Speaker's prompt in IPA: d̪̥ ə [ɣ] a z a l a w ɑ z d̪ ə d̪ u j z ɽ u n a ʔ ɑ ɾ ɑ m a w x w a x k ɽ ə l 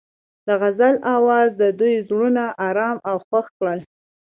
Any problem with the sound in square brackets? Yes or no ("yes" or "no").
no